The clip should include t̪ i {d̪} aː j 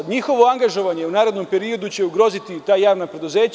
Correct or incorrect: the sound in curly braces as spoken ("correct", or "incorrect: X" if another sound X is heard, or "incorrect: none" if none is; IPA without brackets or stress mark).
incorrect: t̪